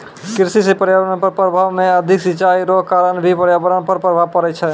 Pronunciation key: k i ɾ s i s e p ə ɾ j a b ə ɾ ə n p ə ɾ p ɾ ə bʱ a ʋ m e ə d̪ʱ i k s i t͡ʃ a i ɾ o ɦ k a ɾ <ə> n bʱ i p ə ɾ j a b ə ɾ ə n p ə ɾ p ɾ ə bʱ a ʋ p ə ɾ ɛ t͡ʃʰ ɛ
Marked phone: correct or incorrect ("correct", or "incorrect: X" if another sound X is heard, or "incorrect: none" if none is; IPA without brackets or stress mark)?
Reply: correct